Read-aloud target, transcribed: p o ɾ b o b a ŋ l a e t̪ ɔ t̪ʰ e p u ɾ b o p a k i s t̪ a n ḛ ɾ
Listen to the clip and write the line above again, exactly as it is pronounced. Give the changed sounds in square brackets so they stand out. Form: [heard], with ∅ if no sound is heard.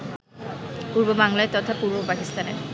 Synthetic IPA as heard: p [u] ɾ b o b a ŋ l a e t̪ ɔ t̪ʰ [a] p u ɾ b o p a k i s t̪ a n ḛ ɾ